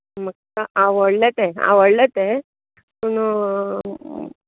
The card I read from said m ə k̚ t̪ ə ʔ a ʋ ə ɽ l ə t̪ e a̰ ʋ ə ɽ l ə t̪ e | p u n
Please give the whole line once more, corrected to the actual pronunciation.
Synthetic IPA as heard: m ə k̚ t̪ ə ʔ a ʋ ə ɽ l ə t̪ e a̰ ʋ ə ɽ l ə t̪ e | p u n